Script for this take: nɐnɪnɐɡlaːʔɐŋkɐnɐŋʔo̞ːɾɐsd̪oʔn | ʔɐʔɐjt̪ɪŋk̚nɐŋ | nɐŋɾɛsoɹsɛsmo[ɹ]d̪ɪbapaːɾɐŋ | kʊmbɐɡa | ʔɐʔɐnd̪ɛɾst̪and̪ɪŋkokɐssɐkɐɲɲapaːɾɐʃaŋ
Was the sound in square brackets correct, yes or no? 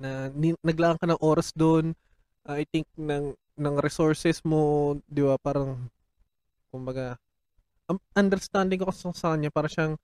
no